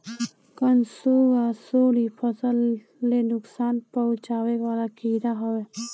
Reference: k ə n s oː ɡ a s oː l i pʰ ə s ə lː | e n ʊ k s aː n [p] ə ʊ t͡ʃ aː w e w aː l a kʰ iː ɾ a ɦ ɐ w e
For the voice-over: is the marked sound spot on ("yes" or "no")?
yes